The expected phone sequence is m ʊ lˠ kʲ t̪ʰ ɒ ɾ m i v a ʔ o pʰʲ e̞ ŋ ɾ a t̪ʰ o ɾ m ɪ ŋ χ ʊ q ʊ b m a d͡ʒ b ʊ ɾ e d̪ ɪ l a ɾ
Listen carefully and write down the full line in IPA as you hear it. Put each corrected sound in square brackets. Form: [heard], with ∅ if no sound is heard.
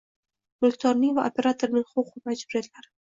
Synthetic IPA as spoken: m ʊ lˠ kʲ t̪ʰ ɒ ɾ [n] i v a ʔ o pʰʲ e̞ [∅] ɾ a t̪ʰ o ɾ [n] ɪ ŋ χ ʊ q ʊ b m a d͡ʒ b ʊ ɾ e d̪ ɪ l a ɾ

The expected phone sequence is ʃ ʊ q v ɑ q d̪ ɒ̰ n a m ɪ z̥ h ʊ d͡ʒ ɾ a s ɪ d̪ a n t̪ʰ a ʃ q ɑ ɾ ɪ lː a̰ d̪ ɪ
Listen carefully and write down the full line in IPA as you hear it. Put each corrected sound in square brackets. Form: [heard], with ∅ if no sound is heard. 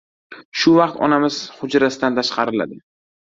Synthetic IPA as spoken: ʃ ʊ [∅] v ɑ q [t̪] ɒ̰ n a m ɪ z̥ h ʊ d͡ʒ ɾ a s ɪ d̪ a n t̪ʰ a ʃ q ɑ ɾ ɪ [l] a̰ d̪ ɪ

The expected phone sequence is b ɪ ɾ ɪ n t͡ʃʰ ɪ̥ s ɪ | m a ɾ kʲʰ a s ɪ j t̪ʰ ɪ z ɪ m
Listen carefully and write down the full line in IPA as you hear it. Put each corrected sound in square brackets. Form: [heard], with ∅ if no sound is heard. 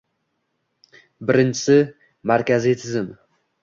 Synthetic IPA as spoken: b ɪ ɾ ɪ n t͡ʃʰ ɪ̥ s ɪ | m a ɾ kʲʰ a [z] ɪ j t̪ʰ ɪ z ɪ m

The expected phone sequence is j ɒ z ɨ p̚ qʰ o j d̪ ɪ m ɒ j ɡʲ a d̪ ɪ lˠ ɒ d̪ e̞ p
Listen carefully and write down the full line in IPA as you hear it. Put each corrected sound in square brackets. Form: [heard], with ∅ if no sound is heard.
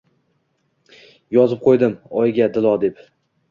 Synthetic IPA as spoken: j ɒ z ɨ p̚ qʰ o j d̪ ɪ m ɒ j ɡʲ a d̪ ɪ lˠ ɒ d̪ e̞ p

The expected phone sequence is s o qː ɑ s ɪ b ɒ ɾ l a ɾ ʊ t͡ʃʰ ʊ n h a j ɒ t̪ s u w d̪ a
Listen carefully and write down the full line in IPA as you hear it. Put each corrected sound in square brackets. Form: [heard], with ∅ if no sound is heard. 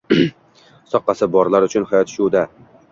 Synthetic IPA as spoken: s [ɒ] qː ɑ s ɪ b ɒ ɾ l a ɾ ʊ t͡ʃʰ ʊ n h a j ɒ t̪ [ʃ] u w d̪ a

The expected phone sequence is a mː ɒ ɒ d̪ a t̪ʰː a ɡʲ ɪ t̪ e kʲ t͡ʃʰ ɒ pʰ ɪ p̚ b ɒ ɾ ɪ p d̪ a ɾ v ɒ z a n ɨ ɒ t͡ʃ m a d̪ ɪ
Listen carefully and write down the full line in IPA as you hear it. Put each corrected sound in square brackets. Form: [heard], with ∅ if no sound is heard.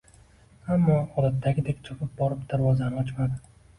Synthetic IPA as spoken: a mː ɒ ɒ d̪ a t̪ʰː a ɡʲ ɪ [d̪] e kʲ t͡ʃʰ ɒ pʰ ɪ p̚ b ɒ ɾ ɪ p d̪ a ɾ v ɒ z a n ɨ ɒ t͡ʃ m a d̪ ɪ

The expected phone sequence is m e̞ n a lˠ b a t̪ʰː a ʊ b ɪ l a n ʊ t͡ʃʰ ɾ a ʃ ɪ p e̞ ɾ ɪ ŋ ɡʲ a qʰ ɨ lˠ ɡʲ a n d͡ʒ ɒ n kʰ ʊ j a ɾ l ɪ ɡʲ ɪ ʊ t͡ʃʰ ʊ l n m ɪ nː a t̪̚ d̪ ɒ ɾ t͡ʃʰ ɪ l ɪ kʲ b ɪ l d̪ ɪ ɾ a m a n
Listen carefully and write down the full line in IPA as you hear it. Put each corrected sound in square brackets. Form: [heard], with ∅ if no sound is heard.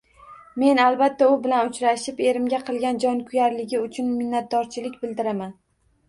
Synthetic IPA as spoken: m e̞ n a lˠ b a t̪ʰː a ʊ b ɪ l a n ʊ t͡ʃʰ ɾ a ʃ ɪ p e̞ ɾ ɪ [m] ɡʲ a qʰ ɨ lˠ ɡʲ a n d͡ʒ ɒ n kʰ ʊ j a ɾ l ɪ ɡʲ ɪ ʊ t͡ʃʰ ʊ [∅] n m ɪ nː a t̪̚ d̪ ɒ ɾ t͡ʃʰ ɪ l ɪ kʲ b ɪ l d̪ ɪ ɾ a m a n

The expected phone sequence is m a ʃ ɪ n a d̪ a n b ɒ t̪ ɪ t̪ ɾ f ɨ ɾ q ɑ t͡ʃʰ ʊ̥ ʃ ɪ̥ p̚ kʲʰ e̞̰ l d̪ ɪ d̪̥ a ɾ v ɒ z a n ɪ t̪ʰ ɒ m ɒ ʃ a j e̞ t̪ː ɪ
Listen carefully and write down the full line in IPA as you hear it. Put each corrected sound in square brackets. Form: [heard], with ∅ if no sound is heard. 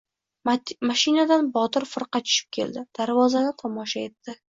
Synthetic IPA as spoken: m a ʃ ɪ n a d̪ a n b ɒ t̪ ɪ [∅] ɾ f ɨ ɾ q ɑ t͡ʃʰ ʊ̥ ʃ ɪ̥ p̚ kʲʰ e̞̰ l d̪ ɪ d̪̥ a ɾ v ɒ z a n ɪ t̪ʰ ɒ m ɒ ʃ a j e̞ t̪ː ɪ

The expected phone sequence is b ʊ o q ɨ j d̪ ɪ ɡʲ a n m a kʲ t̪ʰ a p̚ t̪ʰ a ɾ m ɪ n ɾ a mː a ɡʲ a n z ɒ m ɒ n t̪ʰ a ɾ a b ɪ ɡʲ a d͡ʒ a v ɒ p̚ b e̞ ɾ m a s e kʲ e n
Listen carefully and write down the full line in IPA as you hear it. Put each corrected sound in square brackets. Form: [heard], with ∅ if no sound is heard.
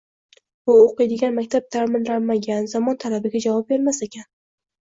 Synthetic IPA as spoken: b ʊ o q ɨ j d̪ ɪ ɡʲ a n m a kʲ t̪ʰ a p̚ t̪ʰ a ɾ m ɪ n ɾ a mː a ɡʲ a n z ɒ m ɒ n t̪ʰ a [l] a b ɪ ɡʲ a d͡ʒ a v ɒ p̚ b e̞ ɾ m a s e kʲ [a] n

